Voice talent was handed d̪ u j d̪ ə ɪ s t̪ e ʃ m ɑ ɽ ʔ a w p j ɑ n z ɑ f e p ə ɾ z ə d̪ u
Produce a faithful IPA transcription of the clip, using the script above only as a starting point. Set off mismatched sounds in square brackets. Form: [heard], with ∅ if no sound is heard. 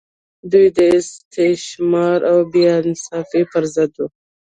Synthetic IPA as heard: d̪ u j d̪ ə ɪ s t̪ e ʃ m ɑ [ɾ] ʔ a w [b] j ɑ n [s] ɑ f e p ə ɾ z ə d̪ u

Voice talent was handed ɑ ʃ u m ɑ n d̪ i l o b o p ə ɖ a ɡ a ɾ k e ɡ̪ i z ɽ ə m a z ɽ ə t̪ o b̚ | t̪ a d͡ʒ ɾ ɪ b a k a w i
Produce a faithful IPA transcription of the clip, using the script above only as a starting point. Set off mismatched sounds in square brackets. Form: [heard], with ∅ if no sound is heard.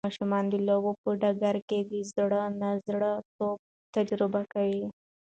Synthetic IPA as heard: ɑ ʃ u m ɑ n d̪ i l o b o p ə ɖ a ɡ a ɾ k e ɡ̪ i z ɽ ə [n] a z ɽ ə t̪ o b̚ | t̪ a d͡ʒ ɾ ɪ b a k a w i

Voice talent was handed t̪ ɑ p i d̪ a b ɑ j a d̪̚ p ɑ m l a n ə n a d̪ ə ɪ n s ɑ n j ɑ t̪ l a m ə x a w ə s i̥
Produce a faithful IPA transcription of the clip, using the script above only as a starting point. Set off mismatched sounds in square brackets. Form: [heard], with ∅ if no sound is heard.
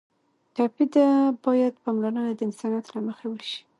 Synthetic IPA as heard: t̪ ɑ p i d̪ a b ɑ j a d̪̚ p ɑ m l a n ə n a d̪ ə ɪ n s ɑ n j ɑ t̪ l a m ə x a w ə [ʃ] i̥

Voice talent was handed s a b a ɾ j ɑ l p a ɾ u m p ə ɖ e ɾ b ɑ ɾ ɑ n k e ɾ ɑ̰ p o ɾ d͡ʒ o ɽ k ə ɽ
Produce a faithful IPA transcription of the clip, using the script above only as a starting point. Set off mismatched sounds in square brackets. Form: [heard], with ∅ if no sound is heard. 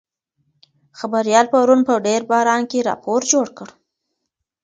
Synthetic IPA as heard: [x] a b a ɾ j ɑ l p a ɾ u [n] p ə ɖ e ɾ b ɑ ɾ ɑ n k e ɾ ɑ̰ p o ɾ d͡ʒ o ɽ k ə ɽ

